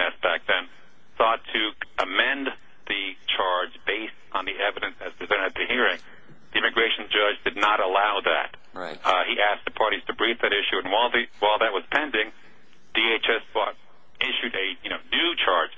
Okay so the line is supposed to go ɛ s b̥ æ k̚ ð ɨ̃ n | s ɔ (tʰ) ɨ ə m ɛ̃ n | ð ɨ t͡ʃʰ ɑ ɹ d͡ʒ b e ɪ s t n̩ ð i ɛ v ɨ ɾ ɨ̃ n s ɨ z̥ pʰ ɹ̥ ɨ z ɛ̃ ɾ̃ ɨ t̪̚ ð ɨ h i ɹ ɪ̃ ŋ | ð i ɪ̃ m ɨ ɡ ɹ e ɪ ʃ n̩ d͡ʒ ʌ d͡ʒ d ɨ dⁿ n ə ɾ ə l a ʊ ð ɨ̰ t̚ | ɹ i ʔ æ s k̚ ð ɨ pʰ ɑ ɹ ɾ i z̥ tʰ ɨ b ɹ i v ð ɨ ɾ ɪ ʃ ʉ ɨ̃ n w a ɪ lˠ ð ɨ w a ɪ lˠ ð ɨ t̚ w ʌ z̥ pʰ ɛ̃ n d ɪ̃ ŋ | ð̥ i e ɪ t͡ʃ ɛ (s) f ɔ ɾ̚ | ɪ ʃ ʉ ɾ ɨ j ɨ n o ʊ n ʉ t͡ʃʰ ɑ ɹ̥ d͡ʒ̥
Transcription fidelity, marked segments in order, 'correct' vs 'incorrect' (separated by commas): correct, correct